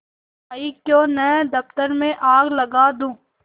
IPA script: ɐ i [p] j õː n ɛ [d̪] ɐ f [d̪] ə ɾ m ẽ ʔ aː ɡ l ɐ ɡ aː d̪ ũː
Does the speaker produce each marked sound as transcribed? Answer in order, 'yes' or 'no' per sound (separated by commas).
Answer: no, yes, no